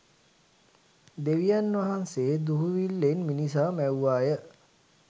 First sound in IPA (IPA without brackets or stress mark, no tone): d̪